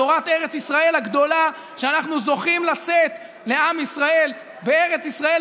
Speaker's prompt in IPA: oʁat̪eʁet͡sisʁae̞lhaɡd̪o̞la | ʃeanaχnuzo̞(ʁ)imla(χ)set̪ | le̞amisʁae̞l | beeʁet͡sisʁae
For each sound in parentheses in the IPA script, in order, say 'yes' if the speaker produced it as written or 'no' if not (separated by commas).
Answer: no, no